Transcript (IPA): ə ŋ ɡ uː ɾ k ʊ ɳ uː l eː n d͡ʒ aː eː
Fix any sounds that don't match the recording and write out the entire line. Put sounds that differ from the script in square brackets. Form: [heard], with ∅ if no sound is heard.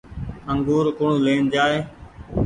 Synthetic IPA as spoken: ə ŋ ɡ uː ɾ k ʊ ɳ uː l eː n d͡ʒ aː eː